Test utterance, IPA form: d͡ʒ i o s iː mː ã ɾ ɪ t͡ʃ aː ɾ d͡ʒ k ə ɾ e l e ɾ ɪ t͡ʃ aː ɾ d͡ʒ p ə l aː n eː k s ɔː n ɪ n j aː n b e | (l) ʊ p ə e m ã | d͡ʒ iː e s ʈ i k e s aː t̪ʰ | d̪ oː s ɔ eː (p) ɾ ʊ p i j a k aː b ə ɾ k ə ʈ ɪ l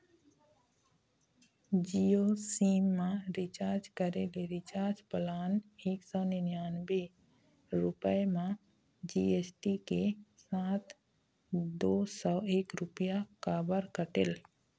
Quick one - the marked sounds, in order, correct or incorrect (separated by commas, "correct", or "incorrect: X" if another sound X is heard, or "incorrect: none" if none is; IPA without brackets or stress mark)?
incorrect: ɾ, incorrect: k